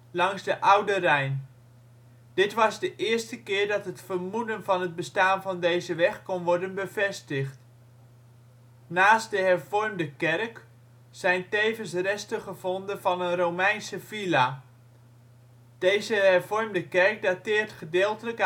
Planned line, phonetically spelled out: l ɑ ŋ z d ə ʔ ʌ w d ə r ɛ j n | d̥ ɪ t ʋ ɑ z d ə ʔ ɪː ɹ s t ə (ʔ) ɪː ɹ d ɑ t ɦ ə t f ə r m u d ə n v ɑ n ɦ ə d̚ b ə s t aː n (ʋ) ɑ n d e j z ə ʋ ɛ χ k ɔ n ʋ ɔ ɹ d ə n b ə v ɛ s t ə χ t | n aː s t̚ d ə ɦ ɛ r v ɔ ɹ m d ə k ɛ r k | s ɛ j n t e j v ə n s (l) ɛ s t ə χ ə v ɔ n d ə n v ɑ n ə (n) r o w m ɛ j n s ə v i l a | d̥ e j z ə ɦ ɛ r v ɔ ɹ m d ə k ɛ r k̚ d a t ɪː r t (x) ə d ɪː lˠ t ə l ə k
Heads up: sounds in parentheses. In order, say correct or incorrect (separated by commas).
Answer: incorrect, incorrect, incorrect, correct, incorrect